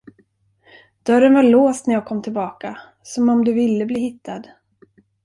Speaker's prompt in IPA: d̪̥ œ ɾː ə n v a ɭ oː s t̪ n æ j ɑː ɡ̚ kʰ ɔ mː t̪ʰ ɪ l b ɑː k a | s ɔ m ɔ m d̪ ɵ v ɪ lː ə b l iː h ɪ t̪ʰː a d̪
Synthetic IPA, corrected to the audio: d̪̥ œ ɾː ə n v a ɭ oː s t̪ n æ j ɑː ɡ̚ kʰ ɔ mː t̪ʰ ɪ l b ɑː k a | s ɔ m ɔ m d̪ ɵ v ɪ lː ə b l iː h ɪ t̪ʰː a d̪